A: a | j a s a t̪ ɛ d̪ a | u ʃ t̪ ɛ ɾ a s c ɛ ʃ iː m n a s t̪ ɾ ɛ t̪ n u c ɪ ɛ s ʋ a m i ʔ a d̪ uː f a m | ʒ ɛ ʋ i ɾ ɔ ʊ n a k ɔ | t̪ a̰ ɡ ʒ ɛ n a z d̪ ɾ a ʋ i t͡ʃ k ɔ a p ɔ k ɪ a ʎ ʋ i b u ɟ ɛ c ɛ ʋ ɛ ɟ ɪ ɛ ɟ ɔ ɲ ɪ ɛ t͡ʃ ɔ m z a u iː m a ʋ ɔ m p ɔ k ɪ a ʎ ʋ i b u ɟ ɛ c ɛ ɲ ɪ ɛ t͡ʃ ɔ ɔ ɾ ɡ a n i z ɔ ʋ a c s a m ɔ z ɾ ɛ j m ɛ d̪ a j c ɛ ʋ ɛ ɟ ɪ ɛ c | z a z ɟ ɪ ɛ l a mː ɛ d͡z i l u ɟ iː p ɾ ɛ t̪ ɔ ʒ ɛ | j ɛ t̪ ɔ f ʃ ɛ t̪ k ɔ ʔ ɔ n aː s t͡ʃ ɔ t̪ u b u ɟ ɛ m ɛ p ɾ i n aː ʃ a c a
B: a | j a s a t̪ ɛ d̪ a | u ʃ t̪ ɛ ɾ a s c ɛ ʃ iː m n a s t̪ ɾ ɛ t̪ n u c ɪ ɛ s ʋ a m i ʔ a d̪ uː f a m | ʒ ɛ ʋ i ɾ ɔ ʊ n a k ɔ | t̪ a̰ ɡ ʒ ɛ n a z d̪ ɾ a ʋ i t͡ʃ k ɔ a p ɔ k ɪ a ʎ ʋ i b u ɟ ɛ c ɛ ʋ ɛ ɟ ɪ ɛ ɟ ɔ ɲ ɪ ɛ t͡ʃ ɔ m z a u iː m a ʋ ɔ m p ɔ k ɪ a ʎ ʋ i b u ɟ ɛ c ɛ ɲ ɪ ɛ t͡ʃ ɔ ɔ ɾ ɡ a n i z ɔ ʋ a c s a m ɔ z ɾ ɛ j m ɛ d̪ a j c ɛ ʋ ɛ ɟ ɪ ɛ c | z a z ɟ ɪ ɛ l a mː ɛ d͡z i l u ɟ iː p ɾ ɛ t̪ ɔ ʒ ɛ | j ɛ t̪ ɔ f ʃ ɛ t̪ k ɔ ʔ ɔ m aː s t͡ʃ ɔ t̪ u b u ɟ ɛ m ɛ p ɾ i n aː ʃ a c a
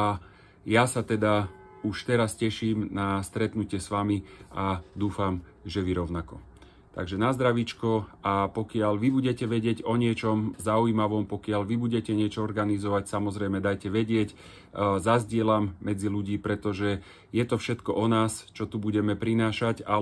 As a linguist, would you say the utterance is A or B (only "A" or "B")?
A